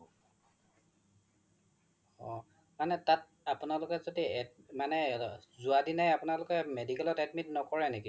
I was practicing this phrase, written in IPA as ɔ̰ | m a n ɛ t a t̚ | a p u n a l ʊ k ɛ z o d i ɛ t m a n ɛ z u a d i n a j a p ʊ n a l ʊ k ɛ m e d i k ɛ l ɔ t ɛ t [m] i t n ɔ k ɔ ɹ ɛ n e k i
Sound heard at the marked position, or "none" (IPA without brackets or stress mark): m